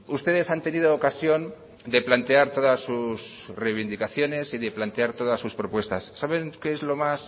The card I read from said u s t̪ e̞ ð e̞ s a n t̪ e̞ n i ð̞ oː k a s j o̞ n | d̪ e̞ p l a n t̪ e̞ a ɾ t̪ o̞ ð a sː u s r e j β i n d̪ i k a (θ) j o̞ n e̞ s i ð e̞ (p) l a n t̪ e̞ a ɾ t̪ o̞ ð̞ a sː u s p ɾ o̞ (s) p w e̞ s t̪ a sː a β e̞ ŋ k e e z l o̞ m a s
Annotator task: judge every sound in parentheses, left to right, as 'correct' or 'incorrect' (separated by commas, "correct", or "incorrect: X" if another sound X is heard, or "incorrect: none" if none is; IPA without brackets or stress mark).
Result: correct, correct, incorrect: none